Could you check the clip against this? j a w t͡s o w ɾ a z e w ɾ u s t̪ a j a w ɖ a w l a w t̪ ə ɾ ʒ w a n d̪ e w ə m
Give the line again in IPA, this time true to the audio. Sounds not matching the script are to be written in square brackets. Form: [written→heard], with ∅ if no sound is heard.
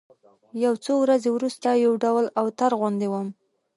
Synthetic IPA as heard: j a w t͡s o w ɾ a z e w ɾ u s t̪ a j a w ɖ a w l a w t̪ [ə→a] ɾ [ʒ→ɣ] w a n d̪ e w ə m